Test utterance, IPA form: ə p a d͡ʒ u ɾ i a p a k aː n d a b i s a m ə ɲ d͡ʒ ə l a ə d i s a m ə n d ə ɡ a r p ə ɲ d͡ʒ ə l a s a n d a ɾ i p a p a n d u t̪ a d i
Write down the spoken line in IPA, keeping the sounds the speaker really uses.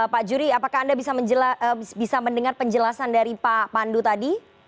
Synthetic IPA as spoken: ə p a d͡ʒ u ɾ i a p a k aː n d a b i s a m ə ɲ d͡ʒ ə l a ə b i s a m ə n d ə ŋ a r p ə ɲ d͡ʒ ə l a s a n d a ɾ i p a p a n d u t̪ a d i